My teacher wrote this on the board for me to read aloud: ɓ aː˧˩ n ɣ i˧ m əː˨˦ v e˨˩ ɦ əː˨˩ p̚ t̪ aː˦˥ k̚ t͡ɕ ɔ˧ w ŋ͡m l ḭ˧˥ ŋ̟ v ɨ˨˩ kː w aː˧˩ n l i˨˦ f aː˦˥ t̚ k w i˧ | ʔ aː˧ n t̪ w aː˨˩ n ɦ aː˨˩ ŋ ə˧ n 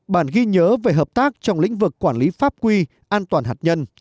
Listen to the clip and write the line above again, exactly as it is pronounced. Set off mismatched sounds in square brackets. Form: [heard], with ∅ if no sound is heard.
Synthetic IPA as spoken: ɓ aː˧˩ n ɣ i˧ [ɲ] əː˨˦ v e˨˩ ɦ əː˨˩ p̚ t̪ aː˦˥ k̚ t͡ɕ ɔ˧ w ŋ͡m l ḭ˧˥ ŋ̟ v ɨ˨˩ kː w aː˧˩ n l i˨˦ f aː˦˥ [p̚] k w i˧ | ʔ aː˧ n t̪ w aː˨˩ n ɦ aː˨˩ [ɲ] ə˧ n

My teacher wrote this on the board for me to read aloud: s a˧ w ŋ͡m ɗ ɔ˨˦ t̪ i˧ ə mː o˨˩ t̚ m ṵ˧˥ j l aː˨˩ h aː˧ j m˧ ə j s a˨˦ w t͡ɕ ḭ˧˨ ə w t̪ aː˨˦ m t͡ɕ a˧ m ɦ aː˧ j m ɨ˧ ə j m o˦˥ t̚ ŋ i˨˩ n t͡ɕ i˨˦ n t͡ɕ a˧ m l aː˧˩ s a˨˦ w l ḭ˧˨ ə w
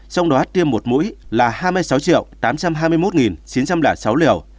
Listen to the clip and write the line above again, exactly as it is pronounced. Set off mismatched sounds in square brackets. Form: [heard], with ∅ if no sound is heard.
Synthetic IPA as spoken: s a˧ w ŋ͡m ɗ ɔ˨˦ t̪ i˧ ə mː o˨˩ t̚ m ṵ˧˥ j l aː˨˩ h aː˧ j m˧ ə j s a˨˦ w t͡ɕ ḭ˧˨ ə w t̪ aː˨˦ m t͡ɕ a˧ m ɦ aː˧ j m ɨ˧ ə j m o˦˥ t̚ ŋ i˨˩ n t͡ɕ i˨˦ n t͡ɕ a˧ m l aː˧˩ s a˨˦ w l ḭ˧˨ ə w

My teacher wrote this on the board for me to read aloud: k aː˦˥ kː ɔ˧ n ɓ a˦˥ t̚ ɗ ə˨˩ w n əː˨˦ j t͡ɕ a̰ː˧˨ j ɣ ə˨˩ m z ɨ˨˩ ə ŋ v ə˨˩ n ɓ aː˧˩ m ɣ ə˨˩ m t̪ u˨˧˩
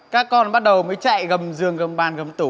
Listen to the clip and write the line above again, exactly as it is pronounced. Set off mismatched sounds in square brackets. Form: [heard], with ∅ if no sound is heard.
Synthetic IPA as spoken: k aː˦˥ kː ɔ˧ n ɓ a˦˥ t̚ ɗ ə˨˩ w [m] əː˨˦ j t͡ɕ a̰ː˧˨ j ɣ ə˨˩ m z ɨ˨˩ ə ŋ [ɣ] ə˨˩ [m] ɓ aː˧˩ [n] ɣ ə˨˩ m t̪ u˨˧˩

